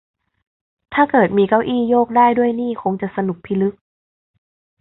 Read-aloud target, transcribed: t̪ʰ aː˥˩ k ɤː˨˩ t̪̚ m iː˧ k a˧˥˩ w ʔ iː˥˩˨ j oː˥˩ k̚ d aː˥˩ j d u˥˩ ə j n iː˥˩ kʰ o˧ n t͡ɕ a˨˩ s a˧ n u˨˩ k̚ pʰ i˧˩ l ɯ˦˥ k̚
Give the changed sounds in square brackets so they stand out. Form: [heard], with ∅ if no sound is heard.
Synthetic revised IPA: t̪ʰ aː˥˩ k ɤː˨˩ t̪̚ m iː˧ k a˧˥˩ w ʔ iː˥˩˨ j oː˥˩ k̚ d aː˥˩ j d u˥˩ ə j n iː˥˩ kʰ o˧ [ŋ] t͡ɕ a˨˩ s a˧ n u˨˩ k̚ pʰ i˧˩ l ɯ˦˥ k̚